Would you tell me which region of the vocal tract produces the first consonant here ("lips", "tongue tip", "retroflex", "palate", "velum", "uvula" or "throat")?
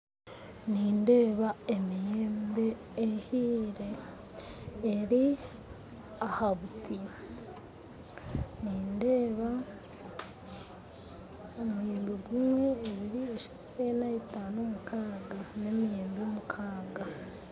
tongue tip